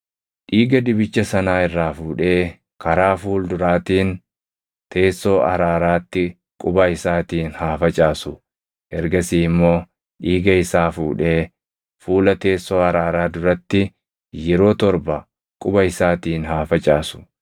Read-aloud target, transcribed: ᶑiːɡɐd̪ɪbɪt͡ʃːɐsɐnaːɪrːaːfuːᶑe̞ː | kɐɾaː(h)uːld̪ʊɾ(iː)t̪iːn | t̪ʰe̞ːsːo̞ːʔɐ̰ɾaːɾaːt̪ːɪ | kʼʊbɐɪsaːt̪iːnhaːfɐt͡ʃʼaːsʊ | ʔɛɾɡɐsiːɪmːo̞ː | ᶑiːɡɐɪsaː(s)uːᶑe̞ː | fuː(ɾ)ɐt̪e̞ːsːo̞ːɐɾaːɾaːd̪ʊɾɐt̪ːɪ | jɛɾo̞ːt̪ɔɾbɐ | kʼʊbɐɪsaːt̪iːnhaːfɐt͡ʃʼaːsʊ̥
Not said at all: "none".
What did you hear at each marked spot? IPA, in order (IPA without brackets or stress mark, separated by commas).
f, aː, f, l